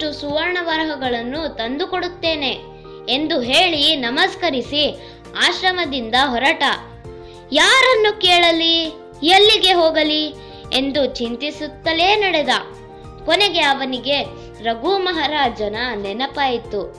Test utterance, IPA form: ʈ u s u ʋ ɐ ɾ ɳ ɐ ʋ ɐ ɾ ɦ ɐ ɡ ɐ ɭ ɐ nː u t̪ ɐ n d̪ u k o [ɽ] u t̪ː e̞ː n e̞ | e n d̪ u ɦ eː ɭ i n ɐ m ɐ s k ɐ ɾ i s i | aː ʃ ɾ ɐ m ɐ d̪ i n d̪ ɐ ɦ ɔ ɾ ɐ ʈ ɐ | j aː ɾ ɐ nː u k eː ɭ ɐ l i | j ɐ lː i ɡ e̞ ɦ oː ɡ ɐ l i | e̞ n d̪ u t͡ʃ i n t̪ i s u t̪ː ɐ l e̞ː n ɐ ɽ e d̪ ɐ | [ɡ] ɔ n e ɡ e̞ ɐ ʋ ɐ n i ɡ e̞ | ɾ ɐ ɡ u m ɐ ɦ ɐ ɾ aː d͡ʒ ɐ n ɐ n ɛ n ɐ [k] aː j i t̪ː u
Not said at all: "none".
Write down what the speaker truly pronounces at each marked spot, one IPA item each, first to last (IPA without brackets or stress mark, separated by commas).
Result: ɽ, k, p